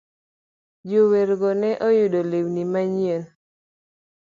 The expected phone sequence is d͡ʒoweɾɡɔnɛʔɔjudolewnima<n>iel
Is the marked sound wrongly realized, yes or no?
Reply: yes